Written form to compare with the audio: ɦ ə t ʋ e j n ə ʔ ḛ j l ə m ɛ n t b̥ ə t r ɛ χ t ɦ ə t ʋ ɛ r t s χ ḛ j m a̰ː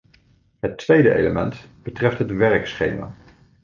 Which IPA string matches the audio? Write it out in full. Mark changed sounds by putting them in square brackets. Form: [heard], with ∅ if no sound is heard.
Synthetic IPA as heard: ɦ ə t ʋ e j [d] ə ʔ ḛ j l ə m ɛ n t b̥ ə t r ɛ [f] t ɦ ə t ʋ ɛ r [k] s χ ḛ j m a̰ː